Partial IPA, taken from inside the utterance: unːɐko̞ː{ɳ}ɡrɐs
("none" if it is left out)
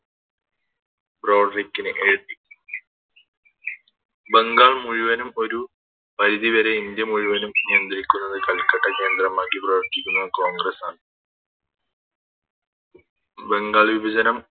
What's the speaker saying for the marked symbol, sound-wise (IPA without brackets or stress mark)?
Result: ŋ